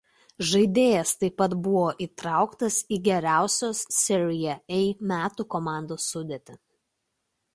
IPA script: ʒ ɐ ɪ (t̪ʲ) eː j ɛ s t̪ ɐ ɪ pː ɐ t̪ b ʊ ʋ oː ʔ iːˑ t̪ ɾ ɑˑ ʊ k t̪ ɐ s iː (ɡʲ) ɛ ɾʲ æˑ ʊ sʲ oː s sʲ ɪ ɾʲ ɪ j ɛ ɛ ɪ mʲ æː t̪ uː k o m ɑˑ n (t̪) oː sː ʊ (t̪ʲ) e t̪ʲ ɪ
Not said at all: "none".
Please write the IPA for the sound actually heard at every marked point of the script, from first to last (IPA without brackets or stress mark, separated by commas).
d̪ʲ, ɡʲ, d̪, d̪ʲ